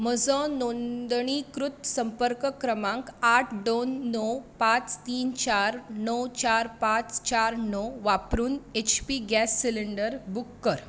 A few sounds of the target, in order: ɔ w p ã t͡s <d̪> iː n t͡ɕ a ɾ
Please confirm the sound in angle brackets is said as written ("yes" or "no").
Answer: no